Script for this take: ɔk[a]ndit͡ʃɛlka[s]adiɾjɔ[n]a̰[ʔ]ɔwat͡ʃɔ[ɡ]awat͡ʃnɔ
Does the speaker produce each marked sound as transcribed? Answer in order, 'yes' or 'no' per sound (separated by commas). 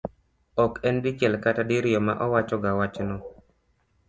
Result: no, no, no, yes, yes